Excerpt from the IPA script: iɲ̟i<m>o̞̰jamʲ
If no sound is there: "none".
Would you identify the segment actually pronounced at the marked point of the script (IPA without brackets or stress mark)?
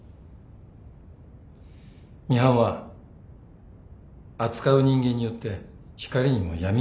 m